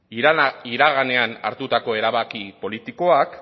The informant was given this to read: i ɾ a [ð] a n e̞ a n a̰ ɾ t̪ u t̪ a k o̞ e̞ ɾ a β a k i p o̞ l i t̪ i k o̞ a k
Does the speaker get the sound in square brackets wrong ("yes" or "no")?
yes